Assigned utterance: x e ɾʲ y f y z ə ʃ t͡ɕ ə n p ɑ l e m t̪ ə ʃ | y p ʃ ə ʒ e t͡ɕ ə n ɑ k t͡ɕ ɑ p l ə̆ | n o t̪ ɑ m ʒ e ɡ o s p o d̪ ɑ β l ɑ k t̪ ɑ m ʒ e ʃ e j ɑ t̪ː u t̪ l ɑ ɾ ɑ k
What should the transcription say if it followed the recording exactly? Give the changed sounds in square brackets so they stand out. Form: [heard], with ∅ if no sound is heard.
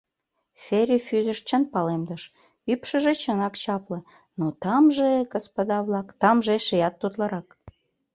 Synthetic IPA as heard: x e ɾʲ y f y z ə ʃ t͡ɕ ə n p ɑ l e m [d̪] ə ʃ | y p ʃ ə ʒ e t͡ɕ ə n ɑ k t͡ɕ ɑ p l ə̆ | n o t̪ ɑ m ʒ e ɡ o s p o d̪ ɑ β l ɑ k t̪ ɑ m ʒ e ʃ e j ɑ t̪ː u t̪ l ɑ ɾ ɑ k